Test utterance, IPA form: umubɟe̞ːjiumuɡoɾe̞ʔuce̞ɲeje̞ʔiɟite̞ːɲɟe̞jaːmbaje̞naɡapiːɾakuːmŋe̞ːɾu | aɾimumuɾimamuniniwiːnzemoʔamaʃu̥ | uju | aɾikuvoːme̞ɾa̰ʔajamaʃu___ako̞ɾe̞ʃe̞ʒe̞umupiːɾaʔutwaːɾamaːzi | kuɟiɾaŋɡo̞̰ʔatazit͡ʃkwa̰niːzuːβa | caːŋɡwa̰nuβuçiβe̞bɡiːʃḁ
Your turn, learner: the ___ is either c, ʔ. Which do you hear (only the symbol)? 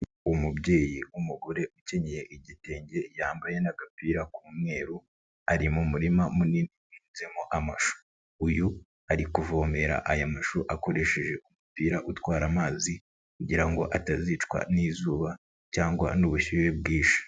ʔ